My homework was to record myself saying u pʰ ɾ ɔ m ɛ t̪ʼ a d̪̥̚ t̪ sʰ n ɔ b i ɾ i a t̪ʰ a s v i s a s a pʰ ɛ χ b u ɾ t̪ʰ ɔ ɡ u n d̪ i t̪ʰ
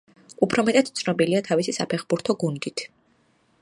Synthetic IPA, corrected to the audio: u pʰ ɾ ɔ m ɛ t̪ʼ a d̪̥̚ t̪ sʰ n ɔ b i l i a t̪ʰ a v i s i s a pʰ ɛ χ b u ɾ t̪ʰ ɔ ɡ u n d̪ i t̪ʰ